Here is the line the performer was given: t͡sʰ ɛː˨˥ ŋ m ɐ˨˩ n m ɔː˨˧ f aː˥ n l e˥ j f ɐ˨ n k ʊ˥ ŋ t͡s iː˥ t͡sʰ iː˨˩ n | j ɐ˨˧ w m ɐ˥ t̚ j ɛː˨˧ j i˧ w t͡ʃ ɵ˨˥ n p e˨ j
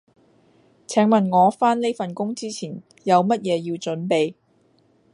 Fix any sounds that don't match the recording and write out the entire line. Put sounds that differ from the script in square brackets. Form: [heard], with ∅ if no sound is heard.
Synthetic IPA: t͡sʰ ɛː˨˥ ŋ m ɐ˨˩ n [ŋ] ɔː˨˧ f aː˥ n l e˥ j f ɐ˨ n k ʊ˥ ŋ t͡s iː˥ t͡sʰ iː˨˩ n | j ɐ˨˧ w m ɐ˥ t̚ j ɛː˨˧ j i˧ w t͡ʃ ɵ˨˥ n p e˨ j